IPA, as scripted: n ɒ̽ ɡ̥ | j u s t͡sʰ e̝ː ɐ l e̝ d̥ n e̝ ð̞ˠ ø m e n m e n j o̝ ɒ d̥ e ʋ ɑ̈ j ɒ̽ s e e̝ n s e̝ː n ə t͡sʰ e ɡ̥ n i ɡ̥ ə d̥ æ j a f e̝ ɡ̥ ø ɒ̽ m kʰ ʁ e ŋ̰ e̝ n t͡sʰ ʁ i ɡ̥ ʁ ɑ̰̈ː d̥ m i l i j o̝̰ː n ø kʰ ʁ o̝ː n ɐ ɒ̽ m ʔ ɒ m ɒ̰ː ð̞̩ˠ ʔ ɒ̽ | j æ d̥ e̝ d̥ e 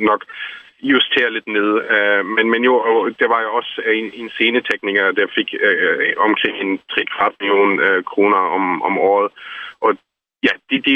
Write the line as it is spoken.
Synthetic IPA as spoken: n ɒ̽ ɡ̥ | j u s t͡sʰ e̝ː ɐ l e̝ d̥ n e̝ ð̞ˠ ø m e n m e n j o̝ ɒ d̥ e ʋ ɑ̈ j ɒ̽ s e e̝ n s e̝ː n ə t͡sʰ e ɡ̥ n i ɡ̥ ɐ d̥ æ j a f e̝ ɡ̥ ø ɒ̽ m kʰ ʁ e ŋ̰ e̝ n t͡sʰ ʁ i ɡ̥ ʁ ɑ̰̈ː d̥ m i l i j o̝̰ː n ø kʰ ʁ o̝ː n ɐ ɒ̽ m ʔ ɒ m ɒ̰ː ð̞̩ˠ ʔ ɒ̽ | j æ d̥ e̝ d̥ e